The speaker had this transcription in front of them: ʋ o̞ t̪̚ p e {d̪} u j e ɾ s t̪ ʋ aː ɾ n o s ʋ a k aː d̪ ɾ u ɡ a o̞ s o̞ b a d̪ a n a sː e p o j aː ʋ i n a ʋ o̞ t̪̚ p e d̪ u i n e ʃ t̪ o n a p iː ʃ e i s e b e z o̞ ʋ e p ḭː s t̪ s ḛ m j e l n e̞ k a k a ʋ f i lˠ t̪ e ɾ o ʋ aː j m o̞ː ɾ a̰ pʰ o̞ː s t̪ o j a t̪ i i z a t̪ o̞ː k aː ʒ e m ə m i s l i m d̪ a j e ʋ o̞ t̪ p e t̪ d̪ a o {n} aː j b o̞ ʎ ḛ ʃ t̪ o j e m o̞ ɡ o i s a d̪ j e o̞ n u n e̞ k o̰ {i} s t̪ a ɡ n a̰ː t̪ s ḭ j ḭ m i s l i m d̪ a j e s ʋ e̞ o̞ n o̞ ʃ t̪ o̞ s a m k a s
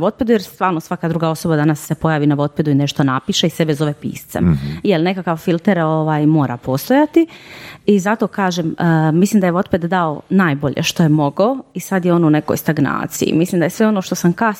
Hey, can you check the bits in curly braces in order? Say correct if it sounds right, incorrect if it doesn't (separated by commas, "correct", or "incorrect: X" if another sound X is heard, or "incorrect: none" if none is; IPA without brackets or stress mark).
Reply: correct, correct, incorrect: j